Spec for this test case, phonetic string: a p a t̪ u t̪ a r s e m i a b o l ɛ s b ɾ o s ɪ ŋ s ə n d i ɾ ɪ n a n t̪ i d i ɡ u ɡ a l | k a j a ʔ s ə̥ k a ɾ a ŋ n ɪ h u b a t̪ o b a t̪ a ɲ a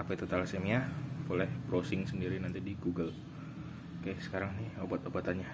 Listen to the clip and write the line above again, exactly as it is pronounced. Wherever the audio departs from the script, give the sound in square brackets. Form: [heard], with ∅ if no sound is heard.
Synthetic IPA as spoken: a p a t̪ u t̪ a [l] s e m i a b o l ɛ [h] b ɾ o s ɪ ŋ s ə n d i ɾ [i] n a n t̪ i d i ɡ u ɡ [ə] l | k a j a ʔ s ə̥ k a ɾ a ŋ n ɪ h [o] b a t̪ o b a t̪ a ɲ a